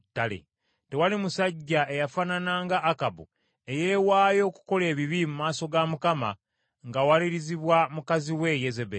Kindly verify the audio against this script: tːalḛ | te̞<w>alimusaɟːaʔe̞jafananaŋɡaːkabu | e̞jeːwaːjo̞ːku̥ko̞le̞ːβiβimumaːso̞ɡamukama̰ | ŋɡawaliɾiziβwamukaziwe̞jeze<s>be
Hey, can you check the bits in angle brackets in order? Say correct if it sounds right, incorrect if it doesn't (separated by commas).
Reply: correct, incorrect